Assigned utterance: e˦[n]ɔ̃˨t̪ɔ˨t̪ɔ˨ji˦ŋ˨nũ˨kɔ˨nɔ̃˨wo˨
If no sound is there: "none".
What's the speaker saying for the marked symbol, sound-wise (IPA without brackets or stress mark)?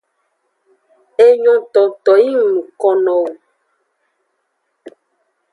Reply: ɲ